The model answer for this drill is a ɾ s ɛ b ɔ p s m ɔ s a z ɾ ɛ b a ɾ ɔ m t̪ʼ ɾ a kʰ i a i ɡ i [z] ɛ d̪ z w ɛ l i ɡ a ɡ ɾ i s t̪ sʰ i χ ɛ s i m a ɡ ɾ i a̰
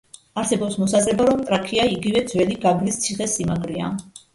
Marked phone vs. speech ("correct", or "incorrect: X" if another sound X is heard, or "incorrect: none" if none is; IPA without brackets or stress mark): incorrect: v